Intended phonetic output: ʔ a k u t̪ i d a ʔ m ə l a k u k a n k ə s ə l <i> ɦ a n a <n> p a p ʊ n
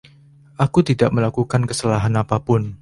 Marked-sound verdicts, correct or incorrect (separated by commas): incorrect, incorrect